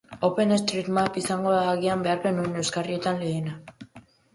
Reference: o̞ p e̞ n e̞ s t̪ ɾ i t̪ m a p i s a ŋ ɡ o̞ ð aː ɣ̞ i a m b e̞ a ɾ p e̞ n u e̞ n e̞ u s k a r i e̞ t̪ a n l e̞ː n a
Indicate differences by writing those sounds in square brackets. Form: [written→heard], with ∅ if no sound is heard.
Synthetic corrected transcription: o̞ p e̞ n e̞ s t̪ ɾ i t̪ m a p i s a ŋ ɡ o̞ ð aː ɣ̞ i a m b e̞ a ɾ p e̞ n u e̞ n e̞ [u→w] s k a r i e̞ t̪ a n l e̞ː n a